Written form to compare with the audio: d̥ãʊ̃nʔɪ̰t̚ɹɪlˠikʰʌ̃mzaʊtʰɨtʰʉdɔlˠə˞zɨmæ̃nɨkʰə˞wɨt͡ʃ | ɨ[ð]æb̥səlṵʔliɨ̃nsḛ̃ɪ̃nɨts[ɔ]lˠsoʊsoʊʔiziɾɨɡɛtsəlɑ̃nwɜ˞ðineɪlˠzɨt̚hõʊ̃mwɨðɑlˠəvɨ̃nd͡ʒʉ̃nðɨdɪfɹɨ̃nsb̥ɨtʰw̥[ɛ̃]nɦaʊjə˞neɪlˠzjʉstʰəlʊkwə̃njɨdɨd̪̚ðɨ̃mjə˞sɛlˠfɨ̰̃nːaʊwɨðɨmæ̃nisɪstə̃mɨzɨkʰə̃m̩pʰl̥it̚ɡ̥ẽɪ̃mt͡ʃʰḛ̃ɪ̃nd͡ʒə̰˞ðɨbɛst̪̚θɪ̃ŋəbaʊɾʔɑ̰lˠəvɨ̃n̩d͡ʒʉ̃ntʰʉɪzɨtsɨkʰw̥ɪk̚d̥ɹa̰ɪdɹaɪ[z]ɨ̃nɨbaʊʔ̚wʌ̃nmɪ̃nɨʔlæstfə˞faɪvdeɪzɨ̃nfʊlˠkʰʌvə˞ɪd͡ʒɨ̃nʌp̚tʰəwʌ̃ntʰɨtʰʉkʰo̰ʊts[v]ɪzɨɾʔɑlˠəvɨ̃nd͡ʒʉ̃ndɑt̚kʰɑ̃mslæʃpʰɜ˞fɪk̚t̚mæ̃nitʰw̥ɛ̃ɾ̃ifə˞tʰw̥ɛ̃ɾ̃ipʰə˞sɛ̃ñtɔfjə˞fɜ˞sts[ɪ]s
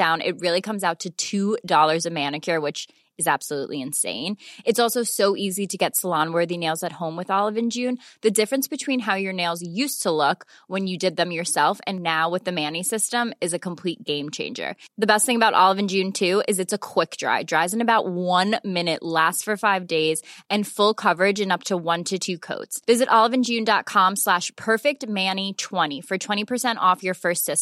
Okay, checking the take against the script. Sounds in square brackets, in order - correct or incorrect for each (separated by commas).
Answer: incorrect, correct, incorrect, correct, correct, correct